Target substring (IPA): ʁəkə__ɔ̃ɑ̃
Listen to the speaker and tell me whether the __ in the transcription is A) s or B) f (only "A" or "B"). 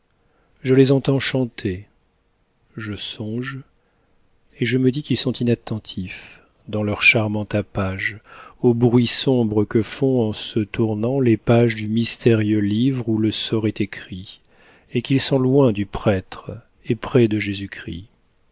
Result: B